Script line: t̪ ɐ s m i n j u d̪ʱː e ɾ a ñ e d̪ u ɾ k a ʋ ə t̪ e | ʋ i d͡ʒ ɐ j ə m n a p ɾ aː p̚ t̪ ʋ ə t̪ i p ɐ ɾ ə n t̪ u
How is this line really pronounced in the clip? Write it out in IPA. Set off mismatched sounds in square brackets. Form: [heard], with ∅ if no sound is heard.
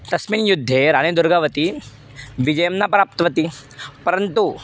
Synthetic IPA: t̪ ɐ s m i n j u d̪ʱː e ɾ a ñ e d̪ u ɾ [ɡ] a ʋ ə t̪ [i] | ʋ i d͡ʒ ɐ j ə m n a p ɾ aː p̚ t̪ ʋ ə t̪ i p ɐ ɾ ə n t̪ u